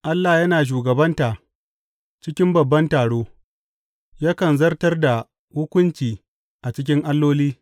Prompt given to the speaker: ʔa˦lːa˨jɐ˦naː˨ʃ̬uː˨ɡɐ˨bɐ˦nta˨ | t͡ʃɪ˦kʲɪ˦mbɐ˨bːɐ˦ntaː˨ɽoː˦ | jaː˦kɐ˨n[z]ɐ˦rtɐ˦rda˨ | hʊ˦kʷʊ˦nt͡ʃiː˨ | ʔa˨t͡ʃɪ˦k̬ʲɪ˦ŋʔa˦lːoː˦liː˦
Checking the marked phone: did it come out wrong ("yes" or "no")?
no